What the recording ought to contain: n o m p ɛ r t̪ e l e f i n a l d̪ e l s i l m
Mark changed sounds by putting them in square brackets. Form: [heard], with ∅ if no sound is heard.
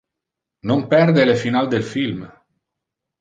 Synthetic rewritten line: n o m p ɛ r [d̪] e l e f i n a l d̪ e l [f] i l m

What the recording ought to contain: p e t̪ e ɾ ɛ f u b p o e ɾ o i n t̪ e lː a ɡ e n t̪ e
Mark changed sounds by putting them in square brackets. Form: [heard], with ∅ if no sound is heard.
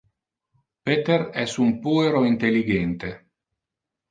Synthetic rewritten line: p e t̪ e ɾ ɛ [s] u [m] p [u] e ɾ o i n t̪ e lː [i] ɡ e n t̪ e

